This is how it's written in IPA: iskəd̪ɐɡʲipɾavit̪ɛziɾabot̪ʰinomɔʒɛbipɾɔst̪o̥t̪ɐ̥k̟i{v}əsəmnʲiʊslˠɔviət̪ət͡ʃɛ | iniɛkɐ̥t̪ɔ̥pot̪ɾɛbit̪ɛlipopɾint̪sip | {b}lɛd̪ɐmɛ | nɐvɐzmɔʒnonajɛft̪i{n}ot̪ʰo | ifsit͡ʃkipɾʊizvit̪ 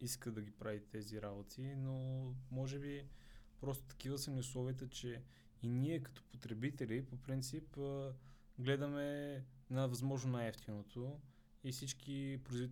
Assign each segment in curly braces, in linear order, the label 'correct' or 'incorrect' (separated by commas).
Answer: correct, incorrect, correct